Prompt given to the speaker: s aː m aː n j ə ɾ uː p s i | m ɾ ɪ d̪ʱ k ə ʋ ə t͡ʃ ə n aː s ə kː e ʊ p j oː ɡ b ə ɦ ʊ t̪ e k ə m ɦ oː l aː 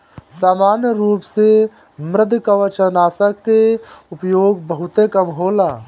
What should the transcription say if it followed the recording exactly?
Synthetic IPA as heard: s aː m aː n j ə ɾ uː p s e | m ɾ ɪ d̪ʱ k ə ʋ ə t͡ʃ ə n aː s ə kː e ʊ p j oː ɡ b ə ɦ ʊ t̪ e k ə m ɦ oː l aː